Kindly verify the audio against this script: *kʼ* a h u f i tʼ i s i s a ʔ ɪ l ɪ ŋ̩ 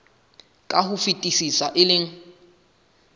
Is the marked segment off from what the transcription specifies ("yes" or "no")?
no